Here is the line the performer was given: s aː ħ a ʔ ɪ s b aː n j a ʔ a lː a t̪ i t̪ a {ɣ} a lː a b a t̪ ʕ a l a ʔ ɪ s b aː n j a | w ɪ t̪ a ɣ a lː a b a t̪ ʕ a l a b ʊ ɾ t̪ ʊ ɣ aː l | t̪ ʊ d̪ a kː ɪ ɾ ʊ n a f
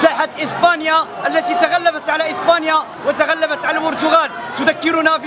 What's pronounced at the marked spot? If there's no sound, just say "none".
ɣ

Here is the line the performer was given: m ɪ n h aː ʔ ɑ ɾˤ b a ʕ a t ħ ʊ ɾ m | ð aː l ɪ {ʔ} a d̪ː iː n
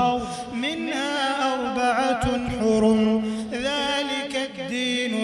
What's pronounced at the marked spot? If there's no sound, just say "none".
k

